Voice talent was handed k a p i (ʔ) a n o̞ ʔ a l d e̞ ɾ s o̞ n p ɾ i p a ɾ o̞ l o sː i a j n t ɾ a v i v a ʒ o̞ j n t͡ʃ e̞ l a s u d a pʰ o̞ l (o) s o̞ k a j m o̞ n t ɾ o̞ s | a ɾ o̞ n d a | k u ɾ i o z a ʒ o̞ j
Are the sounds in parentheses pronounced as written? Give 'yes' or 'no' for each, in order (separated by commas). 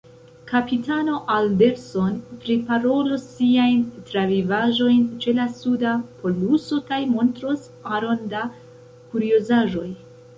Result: no, no